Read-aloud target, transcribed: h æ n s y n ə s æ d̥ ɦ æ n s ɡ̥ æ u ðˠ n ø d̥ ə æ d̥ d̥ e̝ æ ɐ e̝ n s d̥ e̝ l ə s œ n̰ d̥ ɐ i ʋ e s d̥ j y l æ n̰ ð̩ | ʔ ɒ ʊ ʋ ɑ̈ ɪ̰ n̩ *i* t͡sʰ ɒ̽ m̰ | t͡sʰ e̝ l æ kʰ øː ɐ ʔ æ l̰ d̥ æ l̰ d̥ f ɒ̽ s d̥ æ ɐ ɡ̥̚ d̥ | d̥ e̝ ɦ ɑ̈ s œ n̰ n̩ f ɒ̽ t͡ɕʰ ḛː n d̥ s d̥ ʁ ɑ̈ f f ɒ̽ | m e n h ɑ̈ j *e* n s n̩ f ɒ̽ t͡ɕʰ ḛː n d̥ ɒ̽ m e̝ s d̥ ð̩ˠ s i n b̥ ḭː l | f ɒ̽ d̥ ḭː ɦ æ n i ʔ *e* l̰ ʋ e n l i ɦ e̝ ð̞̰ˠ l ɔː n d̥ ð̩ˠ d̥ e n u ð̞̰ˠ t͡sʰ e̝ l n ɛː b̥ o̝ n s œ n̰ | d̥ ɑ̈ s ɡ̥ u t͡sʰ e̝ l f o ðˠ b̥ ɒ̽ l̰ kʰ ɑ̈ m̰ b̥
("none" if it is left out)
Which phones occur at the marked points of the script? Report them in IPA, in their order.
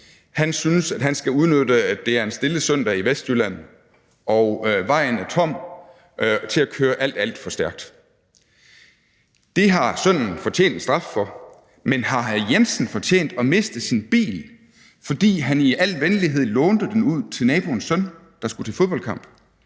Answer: æ, e, æ

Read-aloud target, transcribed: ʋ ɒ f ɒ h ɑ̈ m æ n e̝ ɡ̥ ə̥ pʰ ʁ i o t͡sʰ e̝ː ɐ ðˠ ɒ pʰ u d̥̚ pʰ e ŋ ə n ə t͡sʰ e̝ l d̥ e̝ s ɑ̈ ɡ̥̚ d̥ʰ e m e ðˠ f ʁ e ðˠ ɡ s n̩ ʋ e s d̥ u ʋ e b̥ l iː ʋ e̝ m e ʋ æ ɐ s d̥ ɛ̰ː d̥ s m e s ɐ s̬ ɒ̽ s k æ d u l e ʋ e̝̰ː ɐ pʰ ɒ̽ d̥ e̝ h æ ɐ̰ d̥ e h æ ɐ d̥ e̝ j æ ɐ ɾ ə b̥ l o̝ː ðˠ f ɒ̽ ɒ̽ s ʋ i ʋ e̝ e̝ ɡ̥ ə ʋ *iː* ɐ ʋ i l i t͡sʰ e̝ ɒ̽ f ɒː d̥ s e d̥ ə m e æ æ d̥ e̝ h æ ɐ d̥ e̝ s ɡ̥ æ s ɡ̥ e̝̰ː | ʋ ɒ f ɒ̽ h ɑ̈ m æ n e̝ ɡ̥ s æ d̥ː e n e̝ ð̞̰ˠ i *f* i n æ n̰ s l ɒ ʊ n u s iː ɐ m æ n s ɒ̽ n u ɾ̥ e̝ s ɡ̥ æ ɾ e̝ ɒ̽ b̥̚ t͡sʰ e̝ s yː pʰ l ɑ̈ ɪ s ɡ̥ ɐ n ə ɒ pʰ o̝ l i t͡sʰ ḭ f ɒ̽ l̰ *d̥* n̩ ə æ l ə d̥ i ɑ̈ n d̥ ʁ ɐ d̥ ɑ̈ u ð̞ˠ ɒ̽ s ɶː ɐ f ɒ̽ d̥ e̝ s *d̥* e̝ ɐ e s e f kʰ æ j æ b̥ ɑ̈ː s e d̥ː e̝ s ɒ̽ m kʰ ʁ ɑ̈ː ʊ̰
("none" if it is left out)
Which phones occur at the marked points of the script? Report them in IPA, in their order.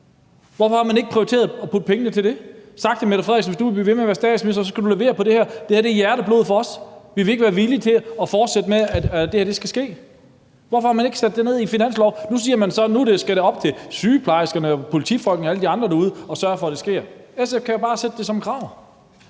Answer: æː, f, ɡ̥, ɡ̥

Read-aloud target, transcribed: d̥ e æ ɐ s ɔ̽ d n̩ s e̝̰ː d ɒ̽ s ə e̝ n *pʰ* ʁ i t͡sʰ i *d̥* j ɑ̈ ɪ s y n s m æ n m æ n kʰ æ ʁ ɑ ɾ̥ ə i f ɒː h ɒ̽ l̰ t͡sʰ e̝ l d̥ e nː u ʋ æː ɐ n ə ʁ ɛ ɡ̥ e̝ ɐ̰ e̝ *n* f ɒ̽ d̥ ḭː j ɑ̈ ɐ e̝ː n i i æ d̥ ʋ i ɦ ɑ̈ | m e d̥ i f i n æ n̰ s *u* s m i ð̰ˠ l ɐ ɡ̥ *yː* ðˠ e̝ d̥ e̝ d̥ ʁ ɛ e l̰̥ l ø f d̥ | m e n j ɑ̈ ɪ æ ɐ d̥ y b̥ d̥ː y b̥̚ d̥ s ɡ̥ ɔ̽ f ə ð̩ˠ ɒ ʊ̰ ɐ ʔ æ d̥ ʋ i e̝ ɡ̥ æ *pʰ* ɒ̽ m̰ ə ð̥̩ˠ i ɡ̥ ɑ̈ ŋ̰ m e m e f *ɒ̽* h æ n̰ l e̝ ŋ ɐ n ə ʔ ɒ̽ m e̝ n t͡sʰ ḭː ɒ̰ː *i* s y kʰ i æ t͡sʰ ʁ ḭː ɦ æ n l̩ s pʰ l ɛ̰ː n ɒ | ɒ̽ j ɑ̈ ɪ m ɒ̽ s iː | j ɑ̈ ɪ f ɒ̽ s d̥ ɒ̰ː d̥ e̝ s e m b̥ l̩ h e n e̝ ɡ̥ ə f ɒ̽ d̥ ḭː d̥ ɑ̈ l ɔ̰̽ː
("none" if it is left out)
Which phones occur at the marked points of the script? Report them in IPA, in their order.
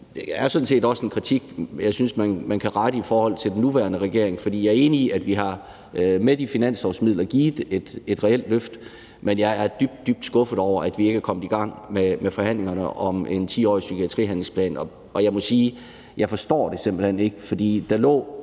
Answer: kʰ, ɡ̥, ŋ, ɒ, iː, kʰ, ɒ̽, i

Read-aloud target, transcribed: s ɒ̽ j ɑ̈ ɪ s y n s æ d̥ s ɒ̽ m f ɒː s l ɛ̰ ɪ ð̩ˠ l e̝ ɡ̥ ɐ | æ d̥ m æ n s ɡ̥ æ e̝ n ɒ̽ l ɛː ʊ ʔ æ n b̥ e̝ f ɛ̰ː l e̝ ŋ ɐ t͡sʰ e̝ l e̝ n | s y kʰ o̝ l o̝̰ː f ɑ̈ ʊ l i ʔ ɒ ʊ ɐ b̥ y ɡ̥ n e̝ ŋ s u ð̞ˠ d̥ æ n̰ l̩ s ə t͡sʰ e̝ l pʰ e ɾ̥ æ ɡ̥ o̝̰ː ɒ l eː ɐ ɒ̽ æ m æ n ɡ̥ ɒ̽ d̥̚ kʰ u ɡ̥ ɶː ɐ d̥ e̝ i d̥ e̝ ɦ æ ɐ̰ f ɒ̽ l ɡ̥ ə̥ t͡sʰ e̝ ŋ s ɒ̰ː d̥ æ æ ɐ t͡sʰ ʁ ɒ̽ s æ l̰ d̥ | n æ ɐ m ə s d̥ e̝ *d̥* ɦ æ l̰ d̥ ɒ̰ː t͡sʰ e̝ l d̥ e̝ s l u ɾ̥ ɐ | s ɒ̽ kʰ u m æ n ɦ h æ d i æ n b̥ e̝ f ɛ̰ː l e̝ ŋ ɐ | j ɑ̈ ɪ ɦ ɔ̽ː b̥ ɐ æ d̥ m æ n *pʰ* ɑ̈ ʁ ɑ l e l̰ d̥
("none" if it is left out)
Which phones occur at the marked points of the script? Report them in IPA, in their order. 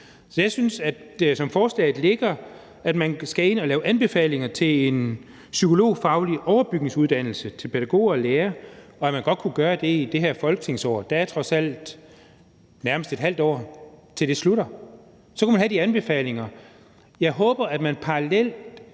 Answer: d̥, pʰ

